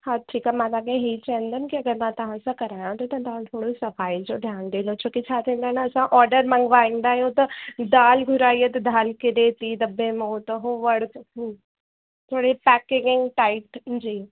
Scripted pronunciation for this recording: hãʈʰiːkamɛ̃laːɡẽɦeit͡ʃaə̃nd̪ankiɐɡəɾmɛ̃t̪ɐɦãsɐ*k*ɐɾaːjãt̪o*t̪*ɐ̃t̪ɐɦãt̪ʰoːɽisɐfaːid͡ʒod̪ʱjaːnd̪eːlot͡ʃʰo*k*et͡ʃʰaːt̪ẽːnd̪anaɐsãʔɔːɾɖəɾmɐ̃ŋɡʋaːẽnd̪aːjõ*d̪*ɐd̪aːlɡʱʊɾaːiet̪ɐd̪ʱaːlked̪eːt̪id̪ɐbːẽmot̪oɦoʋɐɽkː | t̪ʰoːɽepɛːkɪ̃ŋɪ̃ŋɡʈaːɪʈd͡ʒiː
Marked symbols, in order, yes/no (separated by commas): yes, yes, yes, no